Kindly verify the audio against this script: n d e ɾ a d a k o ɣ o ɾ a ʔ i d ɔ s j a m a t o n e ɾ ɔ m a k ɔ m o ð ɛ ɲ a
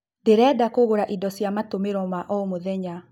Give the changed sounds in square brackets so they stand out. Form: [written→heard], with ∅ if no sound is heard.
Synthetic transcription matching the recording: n d e ɾ [a→ɛ] d a k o ɣ o ɾ a ʔ i d ɔ s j a m a t o [n→m] e ɾ ɔ m a [k→ʔ] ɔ m o ð ɛ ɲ a